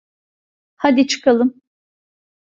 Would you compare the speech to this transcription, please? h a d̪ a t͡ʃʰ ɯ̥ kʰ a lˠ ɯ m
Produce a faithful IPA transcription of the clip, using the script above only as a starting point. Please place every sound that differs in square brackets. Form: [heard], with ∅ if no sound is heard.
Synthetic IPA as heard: h a d̪ [i] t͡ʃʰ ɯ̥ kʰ a lˠ ɯ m